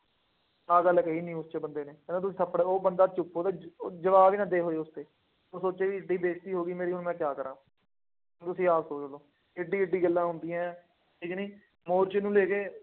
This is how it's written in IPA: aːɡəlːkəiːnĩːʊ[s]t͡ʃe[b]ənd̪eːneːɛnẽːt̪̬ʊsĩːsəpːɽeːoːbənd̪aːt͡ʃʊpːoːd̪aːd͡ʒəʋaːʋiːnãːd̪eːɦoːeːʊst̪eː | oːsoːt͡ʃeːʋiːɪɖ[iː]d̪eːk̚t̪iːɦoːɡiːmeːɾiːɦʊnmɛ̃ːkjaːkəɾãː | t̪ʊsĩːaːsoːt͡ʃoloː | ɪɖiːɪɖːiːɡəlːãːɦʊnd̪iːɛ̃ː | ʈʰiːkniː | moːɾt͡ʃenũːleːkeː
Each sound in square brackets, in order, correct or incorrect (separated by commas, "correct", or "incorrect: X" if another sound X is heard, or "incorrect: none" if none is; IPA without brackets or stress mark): correct, correct, correct